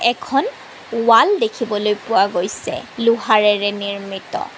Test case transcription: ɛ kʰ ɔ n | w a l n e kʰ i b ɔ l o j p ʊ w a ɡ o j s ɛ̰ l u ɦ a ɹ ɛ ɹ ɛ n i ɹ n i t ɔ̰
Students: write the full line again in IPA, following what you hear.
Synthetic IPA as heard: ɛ kʰ ɔ n | w a l d e kʰ i b ɔ l o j p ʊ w a ɡ o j s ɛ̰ l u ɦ a ɹ ɛ ɹ ɛ n i ɹ m i t ɔ̰

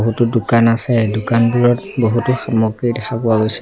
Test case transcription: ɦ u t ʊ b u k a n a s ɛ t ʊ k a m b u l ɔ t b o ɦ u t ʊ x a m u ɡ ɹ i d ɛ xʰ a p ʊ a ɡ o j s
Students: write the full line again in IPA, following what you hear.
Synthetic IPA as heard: ɦ u t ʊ d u k a n a s ɛ d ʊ k a n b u ɹ ɔ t b o ɦ u t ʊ x a m ɔ ɡ ɹ i d ɛ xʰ a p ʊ a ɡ o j s

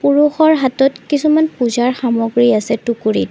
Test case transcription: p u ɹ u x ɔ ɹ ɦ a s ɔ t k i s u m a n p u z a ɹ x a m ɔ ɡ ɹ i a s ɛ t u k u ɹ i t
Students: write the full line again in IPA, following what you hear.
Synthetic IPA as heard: p u ɹ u x ɔ ɹ ɦ a t ɔ t k i s u m a n p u z a ɹ x a m ɔ ɡ ɹ i a s ɛ t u k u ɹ i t

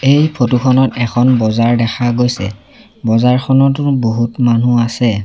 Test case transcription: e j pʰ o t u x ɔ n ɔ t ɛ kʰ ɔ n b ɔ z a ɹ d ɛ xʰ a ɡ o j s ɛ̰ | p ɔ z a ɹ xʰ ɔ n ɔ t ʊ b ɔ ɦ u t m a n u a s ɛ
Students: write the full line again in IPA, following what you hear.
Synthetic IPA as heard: e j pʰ o t u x ɔ n ɔ t ɛ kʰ ɔ n b ɔ z a ɹ d ɛ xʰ a ɡ o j s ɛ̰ | b ɔ z a ɹ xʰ ɔ n ɔ t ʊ b o ɦ u t m a n u a s ɛ

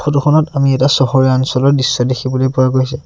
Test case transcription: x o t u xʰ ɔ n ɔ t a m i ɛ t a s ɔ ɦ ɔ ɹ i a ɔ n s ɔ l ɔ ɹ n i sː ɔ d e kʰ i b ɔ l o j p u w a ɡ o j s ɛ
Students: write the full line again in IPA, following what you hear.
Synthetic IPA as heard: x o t u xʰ ɔ n ɔ t a m i ɛ t a s ɔ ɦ ɔ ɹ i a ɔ n s ɔ l ɔ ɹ d i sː ɔ d e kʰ i b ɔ l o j p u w a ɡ o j s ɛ

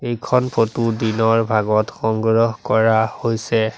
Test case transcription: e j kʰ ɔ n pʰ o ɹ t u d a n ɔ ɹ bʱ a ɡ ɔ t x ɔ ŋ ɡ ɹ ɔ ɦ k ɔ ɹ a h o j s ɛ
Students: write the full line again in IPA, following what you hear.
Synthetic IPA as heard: e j kʰ ɔ n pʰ o t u d i n ɔ ɹ bʱ a ɡ ɔ t x ɔ ŋ ɡ ɹ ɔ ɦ k ɔ ɹ a h o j s ɛ

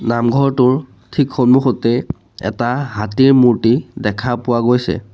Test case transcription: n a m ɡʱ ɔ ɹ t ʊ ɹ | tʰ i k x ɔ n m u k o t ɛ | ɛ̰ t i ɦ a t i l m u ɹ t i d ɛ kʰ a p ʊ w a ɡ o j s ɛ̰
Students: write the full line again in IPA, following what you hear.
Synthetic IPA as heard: n a m ɡʱ ɔ ɹ t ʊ ɹ | tʰ i k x ɔ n m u x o t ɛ | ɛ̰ t a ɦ a t i ɹ m u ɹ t i d ɛ kʰ a p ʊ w a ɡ o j s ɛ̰

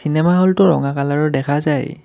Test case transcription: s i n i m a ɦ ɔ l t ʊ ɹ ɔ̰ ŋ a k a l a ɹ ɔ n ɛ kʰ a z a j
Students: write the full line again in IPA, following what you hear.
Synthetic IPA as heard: s i n ɛ m a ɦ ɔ l t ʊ ɹ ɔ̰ ŋ a k a l a ɹ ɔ d ɛ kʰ a z a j

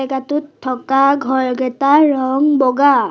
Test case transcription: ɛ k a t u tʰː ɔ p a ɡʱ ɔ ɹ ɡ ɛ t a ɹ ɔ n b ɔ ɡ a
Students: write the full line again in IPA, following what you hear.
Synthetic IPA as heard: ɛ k a t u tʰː ɔ k a ɡʱ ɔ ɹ ɡ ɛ t a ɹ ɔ ŋ b ɔ ɡ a

